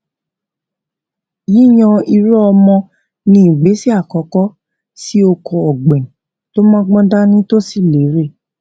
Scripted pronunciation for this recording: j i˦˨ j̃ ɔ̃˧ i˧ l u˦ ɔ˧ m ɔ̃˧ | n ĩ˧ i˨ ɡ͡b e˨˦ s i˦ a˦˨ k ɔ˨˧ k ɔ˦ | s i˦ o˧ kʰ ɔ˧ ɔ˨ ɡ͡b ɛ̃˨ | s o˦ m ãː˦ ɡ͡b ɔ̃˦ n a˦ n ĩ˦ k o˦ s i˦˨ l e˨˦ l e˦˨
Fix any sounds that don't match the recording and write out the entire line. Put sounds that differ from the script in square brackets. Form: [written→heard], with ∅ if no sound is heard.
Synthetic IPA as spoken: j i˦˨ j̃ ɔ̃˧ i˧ [l→ɾ] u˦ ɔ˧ m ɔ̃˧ | n ĩ˧ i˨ ɡ͡b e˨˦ s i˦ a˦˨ k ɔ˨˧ k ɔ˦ | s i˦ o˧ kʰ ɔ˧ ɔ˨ ɡ͡b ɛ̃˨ | [s→t] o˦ m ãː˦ ɡ͡b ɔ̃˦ [n→d] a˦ n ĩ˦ [k→t] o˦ s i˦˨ l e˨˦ [l→ɾ] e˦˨